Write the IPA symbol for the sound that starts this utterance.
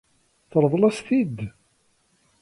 θ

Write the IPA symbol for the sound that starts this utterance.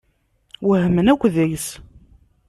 w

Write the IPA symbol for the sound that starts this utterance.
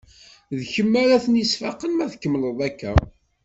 ð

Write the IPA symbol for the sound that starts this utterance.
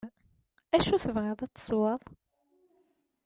æ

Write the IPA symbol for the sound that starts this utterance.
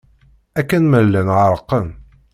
æ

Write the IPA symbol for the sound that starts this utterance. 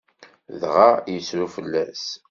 ð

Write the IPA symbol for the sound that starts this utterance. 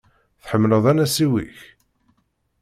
θ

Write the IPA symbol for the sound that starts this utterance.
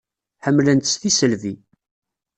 ħ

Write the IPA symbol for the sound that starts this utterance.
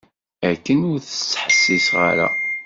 æ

